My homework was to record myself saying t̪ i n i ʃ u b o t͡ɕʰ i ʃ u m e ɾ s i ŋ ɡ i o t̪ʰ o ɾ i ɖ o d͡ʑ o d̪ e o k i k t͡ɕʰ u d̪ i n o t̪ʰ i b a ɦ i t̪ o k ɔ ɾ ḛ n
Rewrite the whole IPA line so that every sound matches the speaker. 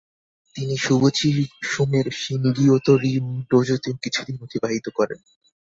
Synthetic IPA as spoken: t̪ i n i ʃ u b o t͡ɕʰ i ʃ u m e ɾ ʃ i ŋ ɡ i o t̪ o ɾ i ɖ o d͡ʑ o t̪ e o k i t͡ɕʰ u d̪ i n o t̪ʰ i b a ɦ i t̪ o k ɔ ɾ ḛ n

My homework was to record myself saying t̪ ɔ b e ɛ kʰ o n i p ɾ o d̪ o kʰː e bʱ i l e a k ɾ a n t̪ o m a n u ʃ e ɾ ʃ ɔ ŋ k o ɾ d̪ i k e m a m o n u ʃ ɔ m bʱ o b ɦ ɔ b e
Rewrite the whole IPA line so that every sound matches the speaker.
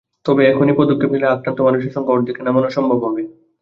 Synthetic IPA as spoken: t̪ ɔ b e ɛ kʰ o n i p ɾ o d̪ o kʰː e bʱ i l e a k ɾ a n t̪ o m a n u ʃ e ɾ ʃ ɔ ŋ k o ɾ d̪ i k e n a m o n o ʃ ɔ m bʱ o b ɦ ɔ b e

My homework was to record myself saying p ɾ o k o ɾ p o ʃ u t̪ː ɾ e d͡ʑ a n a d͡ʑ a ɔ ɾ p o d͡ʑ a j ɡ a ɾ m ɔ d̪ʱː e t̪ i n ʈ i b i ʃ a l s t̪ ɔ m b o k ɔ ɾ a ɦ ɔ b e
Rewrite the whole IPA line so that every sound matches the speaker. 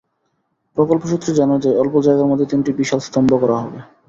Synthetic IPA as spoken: p ɾ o k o l p o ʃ u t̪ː ɾ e d͡ʑ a n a d͡ʑ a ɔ l p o d͡ʑ a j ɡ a ɾ m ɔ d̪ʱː e t̪ i n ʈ i b i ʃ a l s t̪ ɔ m b o k ɔ ɾ a ɦ ɔ b e

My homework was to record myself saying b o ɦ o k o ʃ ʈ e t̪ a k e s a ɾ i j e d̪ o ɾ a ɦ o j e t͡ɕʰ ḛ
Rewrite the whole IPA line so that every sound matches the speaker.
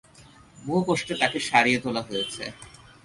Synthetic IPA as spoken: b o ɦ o k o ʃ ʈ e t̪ a k e ʃ a ɾ i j e t̪ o l a ɦ o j e t͡ɕʰ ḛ

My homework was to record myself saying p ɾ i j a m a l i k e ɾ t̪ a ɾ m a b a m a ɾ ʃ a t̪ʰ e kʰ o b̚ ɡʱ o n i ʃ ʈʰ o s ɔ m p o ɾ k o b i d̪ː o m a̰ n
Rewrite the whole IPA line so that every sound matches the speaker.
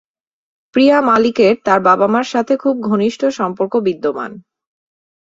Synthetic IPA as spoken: p ɾ i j a m a l i k e ɾ t̪ a ɾ b a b a m a ɾ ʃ a t̪ʰ e kʰ u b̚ ɡʱ o n i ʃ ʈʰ o ʃ ɔ m p o ɾ k o b i d̪ː o m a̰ n

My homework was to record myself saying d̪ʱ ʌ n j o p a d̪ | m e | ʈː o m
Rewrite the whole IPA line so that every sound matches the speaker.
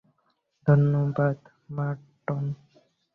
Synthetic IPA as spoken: d̪ʱ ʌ n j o b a d̪ | m a | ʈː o n

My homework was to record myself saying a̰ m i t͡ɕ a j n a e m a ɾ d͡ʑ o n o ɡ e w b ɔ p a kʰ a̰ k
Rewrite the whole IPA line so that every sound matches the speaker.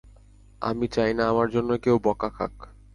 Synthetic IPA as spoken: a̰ m i t͡ɕ a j n a a m a ɾ d͡ʑ o nː o k e w b ɔ k a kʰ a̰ k

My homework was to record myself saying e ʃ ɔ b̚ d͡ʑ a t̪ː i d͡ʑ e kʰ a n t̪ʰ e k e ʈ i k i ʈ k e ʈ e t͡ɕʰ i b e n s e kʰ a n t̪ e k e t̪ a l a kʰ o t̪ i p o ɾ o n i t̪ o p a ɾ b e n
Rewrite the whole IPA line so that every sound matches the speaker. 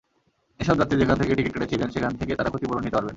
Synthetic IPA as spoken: e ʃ ɔ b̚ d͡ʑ a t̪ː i d͡ʑ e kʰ a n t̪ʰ e k e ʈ i k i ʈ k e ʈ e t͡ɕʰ i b e n ʃ e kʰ a n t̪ e k e t̪ a ɾ a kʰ o t̪ i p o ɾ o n i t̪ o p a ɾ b e n

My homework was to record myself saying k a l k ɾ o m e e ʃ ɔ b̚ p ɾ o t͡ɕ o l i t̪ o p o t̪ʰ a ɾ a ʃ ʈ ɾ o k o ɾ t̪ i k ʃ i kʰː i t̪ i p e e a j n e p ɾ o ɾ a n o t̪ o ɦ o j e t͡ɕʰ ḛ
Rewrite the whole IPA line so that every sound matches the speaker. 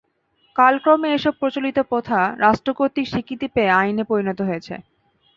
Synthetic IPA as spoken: k a l k ɾ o m e e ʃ ɔ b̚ p ɾ o t͡ɕ o l i t̪ o p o t̪ʰ a ɾ a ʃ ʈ ɾ o k o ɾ t̪ i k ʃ i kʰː i t̪ i p e e a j n e p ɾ o ɾ i n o t̪ o ɦ o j e t͡ɕʰ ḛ

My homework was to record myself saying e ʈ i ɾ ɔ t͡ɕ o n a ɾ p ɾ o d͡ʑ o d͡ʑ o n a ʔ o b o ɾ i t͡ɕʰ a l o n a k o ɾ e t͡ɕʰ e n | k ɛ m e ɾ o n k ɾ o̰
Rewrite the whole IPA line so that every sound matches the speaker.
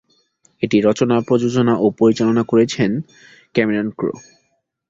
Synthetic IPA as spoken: e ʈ i ɾ ɔ t͡ɕ o n a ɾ p ɾ o d͡ʑ o d͡ʑ o n a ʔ o p o ɾ i t͡ɕ a l o n a k o ɾ e t͡ɕʰ e n | k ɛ m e ɾ o n k ɾ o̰

